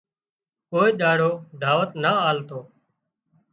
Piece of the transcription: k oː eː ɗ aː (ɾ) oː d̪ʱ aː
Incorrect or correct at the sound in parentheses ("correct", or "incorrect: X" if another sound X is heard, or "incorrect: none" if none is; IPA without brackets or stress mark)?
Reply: incorrect: ɽ